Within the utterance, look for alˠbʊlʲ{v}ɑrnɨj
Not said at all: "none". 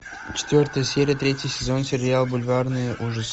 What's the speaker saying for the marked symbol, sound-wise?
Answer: v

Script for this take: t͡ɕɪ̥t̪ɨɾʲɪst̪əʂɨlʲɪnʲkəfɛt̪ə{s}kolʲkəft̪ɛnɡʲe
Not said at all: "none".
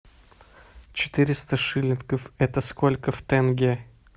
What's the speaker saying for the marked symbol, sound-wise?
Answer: s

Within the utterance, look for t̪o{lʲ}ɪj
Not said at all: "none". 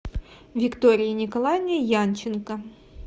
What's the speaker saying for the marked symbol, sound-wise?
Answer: ɾʲ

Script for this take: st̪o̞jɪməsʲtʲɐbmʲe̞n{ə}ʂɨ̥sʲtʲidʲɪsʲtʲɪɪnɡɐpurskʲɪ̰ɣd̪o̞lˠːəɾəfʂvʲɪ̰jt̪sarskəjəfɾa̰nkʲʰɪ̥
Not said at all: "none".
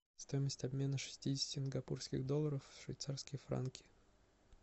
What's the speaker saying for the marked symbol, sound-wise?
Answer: ə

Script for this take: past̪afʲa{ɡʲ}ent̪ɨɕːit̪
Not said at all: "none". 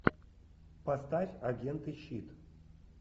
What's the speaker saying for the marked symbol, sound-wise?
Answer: ɡʲ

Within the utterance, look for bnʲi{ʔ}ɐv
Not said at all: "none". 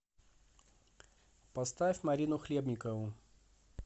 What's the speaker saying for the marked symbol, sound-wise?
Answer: k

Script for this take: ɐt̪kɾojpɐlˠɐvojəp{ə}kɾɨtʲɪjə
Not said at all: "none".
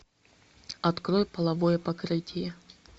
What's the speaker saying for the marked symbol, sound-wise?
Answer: ɐ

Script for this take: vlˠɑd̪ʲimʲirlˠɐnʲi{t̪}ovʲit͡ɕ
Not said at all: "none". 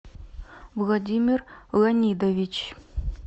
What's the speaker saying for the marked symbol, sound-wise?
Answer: d̪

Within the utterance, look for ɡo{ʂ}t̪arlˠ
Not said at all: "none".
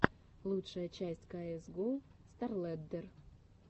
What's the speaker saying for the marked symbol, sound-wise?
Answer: s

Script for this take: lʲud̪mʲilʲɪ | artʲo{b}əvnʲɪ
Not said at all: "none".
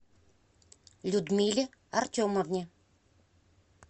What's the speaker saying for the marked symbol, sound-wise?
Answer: m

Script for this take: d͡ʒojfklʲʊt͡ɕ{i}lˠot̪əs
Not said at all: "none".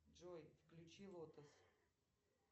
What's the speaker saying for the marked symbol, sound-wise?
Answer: i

